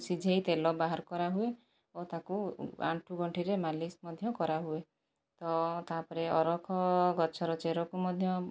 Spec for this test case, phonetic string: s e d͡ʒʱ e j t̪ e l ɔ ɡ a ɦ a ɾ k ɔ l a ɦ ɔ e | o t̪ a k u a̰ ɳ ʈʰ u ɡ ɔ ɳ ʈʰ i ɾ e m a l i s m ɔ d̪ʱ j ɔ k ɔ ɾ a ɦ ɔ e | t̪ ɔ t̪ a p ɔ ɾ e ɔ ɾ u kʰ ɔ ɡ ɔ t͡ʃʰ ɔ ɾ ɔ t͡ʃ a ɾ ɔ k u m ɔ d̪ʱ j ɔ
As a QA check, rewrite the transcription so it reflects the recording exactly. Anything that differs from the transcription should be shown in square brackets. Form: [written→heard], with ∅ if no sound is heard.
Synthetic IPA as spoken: s [e→i] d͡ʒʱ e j t̪ e l ɔ [ɡ→b] a ɦ a ɾ k ɔ [l→ɾ] a ɦ [ɔ→u] e | o t̪ a k u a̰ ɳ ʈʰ u ɡ ɔ ɳ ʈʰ i ɾ e m a l i s m ɔ d̪ʱ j ɔ k ɔ ɾ a ɦ [ɔ→u] e | t̪ ɔ t̪ a p ɔ ɾ e ɔ ɾ [u→ɔ] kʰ ɔ ɡ ɔ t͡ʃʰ ɔ ɾ ɔ t͡ʃ [a→e] ɾ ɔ k u m ɔ d̪ʱ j ɔ